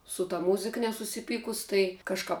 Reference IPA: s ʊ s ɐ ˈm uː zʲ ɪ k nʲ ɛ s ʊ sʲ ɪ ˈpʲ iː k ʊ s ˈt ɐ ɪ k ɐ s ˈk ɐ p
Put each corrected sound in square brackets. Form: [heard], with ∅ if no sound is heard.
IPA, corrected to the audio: s ʊ [t] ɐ ˈm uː zʲ ɪ k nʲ ɛ s ʊ sʲ ɪ ˈpʲ iː k ʊ s ˈt ɐ ɪ k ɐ [ʃ] ˈk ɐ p